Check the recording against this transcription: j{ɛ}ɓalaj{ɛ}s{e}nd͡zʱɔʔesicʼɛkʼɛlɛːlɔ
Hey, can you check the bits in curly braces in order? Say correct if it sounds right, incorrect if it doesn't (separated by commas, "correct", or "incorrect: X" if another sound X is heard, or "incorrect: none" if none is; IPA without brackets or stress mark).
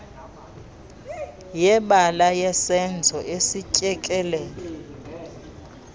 correct, correct, incorrect: ɛ